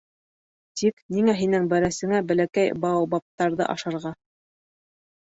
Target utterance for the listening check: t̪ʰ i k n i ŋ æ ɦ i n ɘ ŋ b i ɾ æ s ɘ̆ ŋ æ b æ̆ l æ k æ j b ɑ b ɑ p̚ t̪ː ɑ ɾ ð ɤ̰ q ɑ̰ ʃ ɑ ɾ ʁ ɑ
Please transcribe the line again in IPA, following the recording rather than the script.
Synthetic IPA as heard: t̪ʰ i k n i ŋ æ ɦ i n ɘ ŋ b æ ɾ æ s ɘ̆ ŋ æ b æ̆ l æ k æ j b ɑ b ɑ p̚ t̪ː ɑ ɾ ð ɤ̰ ʔ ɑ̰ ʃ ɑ ɾ ʁ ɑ